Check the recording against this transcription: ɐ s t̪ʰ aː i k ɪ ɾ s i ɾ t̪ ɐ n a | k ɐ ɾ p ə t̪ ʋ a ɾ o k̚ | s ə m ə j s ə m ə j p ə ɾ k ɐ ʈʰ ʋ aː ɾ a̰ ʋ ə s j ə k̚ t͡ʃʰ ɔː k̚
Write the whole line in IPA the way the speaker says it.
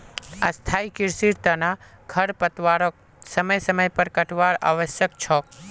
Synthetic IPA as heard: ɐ s t̪ʰ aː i k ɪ ɾ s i ɾ t̪ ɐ n a | kʰ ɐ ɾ p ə t̪ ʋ a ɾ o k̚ | s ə m ə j s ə m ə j p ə ɾ k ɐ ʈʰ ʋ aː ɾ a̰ ʋ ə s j ə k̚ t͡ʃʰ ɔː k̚

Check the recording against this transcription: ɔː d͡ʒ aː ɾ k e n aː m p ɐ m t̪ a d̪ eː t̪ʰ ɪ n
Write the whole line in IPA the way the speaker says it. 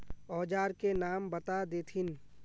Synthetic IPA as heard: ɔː d͡ʒ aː ɾ k e n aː m b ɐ t̪ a d̪ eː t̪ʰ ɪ n

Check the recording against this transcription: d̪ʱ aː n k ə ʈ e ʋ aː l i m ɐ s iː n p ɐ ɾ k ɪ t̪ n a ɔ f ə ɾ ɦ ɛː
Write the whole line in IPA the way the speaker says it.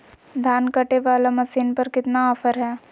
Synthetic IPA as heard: d̪ʱ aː n k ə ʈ e ʋ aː l a m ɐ s iː n p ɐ ɾ k ɪ t̪ n a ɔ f ə ɾ ɦ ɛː

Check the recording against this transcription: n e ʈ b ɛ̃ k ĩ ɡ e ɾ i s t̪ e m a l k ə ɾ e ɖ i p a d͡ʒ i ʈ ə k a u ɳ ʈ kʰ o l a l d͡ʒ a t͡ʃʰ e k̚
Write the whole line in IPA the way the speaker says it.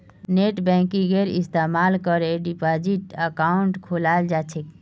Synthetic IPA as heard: n e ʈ b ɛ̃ k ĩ ɡ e ɾ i s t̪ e m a l k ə ɾ e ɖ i p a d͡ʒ i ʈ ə k a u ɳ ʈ kʰ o l a l d͡ʒ a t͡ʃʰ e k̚

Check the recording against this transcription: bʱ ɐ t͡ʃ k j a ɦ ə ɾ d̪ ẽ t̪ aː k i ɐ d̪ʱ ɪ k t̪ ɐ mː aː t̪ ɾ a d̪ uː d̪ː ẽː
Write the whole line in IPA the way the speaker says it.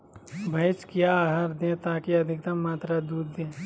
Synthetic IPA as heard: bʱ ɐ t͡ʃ k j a ɦ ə ɾ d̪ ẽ t̪ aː k i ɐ d̪ʱ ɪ k t̪ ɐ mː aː t̪ ɾ a d̪ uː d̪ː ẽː

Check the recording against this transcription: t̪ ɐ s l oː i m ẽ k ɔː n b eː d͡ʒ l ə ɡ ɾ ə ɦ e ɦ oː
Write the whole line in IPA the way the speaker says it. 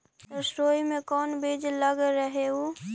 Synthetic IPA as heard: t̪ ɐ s ɾ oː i m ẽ k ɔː n b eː d͡ʒ l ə ɡ ɾ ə ɦ e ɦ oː

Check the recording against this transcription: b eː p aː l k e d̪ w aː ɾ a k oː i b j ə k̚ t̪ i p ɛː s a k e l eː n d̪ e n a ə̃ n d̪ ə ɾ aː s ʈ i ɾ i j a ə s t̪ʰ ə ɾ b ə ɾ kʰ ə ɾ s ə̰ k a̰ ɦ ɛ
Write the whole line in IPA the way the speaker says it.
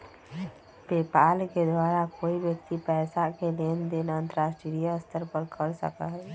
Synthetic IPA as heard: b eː p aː l k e d̪ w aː ɾ a k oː i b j ə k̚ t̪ i p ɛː s a k e l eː n d̪ e n a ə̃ n t̪ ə ɾ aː s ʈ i ɾ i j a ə s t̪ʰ ə ɾ p ə ɾ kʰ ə ɾ s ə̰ k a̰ ɦ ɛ

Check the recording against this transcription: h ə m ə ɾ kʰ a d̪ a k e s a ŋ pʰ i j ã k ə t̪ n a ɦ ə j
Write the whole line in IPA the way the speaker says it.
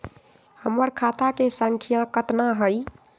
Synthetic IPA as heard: h ə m ə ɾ kʰ a t̪ a k e s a ŋ kʰ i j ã k ə t̪ n a ɦ ə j

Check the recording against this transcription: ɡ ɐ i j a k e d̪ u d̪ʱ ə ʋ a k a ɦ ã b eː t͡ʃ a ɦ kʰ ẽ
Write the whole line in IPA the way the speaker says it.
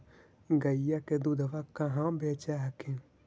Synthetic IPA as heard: ɡ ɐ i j a k e d̪ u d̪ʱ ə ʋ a k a ɦ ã b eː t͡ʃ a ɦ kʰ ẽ

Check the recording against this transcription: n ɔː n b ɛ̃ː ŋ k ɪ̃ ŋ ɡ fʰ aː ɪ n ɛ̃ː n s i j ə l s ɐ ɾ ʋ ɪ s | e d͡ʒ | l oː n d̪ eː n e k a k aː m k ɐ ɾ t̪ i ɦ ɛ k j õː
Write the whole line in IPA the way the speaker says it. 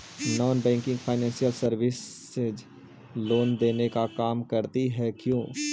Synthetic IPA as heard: n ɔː n b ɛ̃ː ŋ k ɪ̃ ŋ ɡ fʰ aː ɪ n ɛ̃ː n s i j ə l s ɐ ɾ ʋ ɪ s | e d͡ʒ | l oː n d̪ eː n e k a k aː m k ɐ ɾ t̪ i ɦ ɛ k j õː

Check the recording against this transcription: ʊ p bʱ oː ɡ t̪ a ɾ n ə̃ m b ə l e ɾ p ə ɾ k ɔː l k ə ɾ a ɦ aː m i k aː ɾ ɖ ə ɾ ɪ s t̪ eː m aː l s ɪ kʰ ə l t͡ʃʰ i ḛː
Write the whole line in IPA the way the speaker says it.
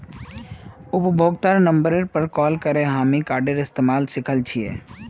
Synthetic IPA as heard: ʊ p bʱ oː ɡ t̪ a ɾ n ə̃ m b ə ɾ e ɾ p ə ɾ k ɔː l k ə ɾ e ɦ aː m i k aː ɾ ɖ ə ɾ ɪ s t̪ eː m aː l s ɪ kʰ ə l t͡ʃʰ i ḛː

